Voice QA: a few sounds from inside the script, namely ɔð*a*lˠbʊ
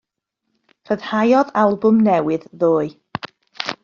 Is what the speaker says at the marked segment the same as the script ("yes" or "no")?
yes